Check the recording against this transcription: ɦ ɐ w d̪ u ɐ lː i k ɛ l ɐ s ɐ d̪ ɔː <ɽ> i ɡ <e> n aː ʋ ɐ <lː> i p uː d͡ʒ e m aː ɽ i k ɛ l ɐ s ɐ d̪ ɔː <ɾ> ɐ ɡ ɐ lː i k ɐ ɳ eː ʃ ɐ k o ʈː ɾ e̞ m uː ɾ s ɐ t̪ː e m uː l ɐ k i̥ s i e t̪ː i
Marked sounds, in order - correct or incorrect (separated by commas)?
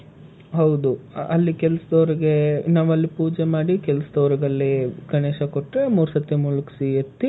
incorrect, correct, correct, correct